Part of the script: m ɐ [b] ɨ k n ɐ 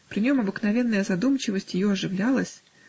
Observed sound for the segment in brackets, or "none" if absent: b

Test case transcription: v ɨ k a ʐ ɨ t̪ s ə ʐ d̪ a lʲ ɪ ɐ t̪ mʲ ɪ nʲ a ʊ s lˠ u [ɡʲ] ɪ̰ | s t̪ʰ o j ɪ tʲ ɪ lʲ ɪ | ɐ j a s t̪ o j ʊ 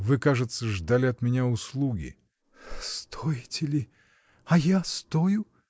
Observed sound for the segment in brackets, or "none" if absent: ɡʲ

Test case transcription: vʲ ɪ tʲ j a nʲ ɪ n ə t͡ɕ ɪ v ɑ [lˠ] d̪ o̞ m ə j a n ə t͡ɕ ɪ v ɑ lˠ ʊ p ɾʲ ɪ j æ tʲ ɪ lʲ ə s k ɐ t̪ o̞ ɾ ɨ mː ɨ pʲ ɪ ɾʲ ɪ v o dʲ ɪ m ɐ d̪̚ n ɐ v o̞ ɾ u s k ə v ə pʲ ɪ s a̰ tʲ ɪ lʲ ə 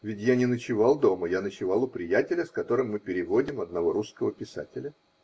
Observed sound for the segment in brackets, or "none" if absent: lˠ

